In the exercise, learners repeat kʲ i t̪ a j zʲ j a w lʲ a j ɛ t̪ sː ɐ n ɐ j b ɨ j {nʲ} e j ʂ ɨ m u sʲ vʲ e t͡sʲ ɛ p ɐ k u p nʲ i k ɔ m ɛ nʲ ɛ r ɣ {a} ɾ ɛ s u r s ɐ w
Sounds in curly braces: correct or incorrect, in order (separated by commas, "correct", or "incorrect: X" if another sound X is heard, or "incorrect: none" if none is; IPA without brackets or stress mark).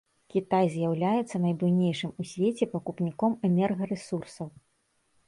correct, incorrect: ɐ